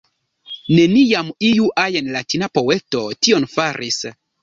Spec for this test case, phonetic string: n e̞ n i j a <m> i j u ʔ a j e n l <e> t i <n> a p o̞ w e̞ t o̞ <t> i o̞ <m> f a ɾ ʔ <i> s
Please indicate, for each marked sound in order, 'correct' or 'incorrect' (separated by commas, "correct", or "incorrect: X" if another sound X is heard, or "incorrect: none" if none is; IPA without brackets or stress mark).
correct, incorrect: a, correct, correct, incorrect: n, correct